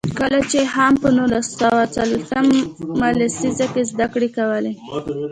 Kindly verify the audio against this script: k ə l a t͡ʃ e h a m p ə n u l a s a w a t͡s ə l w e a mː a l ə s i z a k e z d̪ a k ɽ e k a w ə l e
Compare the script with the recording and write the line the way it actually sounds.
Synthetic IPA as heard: k ə l a t͡ʃ e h a m p ə n u l a s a w a t͡s a l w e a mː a l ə s i z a k e z d̪ a k ɽ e k a w ə l e